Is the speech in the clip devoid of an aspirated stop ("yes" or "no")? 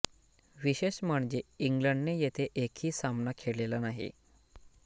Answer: no